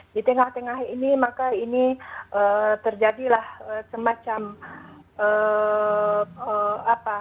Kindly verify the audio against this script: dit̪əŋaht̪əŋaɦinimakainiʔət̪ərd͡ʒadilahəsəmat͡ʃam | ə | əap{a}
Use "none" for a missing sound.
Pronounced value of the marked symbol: a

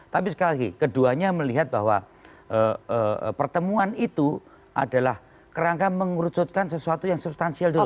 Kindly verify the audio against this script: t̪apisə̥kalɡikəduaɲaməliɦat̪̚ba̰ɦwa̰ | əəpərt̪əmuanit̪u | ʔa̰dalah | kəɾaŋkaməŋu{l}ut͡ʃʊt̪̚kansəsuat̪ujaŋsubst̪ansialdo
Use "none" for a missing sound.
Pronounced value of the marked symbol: ɾ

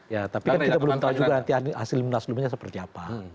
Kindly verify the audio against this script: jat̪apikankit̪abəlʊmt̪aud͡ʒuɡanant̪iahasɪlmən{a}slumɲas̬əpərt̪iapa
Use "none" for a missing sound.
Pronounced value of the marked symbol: a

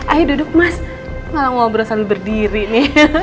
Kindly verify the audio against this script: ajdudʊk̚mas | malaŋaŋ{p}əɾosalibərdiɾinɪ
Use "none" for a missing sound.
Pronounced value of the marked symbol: b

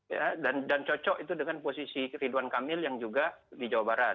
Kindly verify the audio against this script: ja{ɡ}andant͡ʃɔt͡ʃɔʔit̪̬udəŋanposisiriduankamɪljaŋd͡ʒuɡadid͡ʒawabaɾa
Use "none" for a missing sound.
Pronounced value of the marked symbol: d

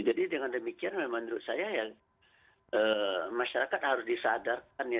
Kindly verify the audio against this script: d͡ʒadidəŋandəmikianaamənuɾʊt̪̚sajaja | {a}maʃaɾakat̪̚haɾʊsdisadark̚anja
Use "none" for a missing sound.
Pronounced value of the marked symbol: ə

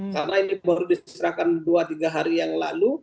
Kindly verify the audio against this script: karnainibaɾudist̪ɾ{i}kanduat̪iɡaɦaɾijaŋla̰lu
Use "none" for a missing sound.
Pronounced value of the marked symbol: a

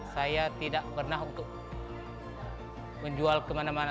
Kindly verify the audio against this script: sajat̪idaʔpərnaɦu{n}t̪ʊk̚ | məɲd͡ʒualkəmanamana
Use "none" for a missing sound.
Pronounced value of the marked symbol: n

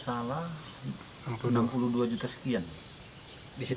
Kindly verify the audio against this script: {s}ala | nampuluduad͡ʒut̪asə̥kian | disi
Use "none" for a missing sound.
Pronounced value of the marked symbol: s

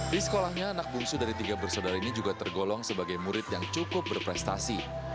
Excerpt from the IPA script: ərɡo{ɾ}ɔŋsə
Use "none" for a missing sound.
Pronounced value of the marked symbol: l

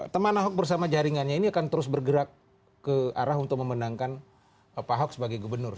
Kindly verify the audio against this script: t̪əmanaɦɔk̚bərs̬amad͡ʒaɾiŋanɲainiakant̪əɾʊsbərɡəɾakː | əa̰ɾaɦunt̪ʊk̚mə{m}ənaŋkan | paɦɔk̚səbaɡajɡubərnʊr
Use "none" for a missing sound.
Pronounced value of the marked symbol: m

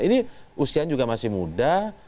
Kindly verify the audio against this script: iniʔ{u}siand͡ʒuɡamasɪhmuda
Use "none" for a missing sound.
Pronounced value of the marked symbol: u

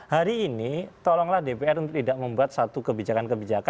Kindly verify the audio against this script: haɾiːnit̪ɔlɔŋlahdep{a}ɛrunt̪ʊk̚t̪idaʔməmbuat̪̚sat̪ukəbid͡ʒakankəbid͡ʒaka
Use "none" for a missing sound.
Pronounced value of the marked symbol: e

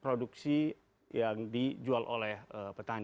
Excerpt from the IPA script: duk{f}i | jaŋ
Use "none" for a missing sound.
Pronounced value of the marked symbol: s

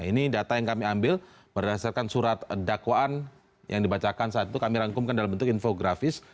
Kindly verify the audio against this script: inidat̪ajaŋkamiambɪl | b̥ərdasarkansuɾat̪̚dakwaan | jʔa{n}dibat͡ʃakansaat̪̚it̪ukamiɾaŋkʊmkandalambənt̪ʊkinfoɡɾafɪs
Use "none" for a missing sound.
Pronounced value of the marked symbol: ŋ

